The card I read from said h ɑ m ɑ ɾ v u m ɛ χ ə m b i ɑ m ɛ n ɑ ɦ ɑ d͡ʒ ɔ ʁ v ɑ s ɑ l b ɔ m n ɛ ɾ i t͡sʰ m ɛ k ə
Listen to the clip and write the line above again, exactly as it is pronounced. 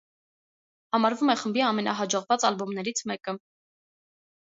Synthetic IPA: h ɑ m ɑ ɾ v u m ɛ χ ə m b i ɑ m ɛ n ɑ ɦ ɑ d͡ʒ ɔ ʁ v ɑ t͡s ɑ l b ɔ m n ɛ ɾ i t͡sʰ m ɛ k ə